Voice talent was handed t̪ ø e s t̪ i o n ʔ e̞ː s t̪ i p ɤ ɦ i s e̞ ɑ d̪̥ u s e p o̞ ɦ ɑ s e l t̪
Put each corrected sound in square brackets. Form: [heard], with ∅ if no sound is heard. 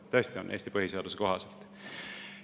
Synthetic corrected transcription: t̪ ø e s t̪ i o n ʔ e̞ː s t̪ i p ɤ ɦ i s e̞ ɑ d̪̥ u s e [k] o̞ ɦ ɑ s e l t̪